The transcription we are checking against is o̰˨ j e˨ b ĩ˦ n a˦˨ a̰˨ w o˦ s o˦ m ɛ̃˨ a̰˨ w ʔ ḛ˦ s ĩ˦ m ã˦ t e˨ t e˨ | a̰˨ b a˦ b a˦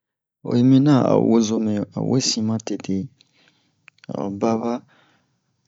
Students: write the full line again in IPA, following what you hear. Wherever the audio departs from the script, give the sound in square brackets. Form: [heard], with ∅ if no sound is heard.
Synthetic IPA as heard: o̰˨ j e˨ [m] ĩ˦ n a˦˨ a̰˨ w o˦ [z] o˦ m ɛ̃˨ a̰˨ w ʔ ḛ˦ s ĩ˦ m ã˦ t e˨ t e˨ | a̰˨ b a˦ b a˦